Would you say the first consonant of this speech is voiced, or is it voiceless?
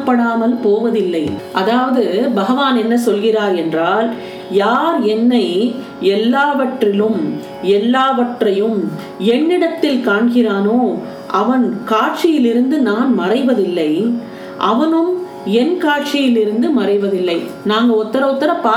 voiceless